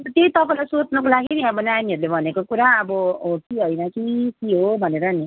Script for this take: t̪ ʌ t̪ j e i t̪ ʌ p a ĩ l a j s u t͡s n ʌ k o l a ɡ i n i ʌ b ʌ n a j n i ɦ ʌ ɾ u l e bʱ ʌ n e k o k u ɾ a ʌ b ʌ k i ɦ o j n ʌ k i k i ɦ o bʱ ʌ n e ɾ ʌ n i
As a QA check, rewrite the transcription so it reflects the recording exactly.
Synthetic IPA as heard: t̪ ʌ t̪ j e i t̪ ʌ p a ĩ l a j s o t͡s n ʌ k o l a ɡ i n i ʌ b ʌ n a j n i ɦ ʌ ɾ u l e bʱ ʌ n e k o k u ɾ a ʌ b ʌ k i ɦ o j n ʌ k i k i ɦ o bʱ ʌ n e ɾ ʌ n i